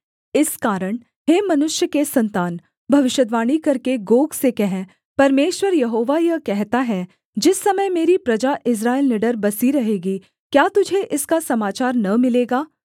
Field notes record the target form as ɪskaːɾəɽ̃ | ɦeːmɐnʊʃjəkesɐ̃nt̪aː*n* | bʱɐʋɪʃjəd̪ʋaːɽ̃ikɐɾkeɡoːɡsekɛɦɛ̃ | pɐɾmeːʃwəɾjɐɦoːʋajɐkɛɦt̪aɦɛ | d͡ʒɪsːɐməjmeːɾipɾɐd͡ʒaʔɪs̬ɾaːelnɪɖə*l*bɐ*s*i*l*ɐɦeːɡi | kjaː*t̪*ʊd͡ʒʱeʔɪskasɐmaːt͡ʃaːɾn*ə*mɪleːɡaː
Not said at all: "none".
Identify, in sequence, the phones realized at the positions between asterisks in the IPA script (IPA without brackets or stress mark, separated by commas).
n, ɾ, s, ɾ, t̪, ɐ